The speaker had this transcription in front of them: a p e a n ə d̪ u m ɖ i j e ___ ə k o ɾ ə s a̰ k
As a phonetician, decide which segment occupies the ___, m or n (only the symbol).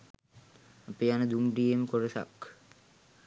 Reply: m